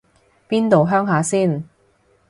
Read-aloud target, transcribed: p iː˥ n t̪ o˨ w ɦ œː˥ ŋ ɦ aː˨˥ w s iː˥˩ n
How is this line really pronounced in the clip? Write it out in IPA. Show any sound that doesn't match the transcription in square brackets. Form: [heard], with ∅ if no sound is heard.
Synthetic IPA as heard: p iː˥ n t̪ o˨ w ɦ œː˥ ŋ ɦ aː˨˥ [∅] s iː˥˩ n